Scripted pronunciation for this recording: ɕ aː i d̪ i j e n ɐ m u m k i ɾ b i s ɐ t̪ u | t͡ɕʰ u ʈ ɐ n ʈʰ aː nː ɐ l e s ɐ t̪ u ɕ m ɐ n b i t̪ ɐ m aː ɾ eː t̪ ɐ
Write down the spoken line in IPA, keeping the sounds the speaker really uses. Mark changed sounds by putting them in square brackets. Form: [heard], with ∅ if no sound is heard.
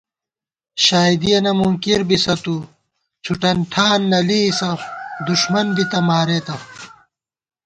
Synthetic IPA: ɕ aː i d̪ i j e n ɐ m u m k i ɾ b i s ɐ t̪ u | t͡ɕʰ u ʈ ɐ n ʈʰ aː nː ɐ l [i] s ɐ [d̪] u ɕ m ɐ n b i t̪ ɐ m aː ɾ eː t̪ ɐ